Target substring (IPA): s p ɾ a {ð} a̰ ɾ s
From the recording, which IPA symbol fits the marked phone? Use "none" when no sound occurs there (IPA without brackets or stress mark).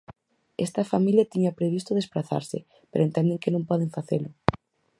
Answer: θ